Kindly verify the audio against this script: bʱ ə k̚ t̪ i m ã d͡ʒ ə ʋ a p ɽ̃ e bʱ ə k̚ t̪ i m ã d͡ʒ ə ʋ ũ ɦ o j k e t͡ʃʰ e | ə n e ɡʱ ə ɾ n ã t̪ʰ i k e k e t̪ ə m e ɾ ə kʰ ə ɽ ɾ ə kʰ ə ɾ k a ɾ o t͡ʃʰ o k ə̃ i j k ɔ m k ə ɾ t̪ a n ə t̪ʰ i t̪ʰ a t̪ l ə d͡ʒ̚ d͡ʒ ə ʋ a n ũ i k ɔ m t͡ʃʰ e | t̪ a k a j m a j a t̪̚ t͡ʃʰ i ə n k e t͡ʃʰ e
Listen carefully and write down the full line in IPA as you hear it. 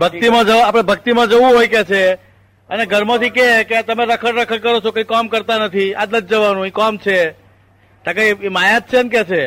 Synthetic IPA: bʱ ə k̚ t̪ i m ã d͡ʒ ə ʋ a p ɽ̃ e bʱ ə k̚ t̪ i m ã d͡ʒ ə ʋ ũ ɦ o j k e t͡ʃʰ e | ə n e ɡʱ ə ɾ m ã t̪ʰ i k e k e t̪ ə m e ɾ ə kʰ ə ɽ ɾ ə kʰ ə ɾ k ə ɾ o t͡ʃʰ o k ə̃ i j k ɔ m k ə ɾ t̪ a n ə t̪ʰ i a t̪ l ə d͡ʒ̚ d͡ʒ ə ʋ a n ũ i k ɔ m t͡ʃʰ e | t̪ a k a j m a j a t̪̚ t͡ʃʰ e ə n k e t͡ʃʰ e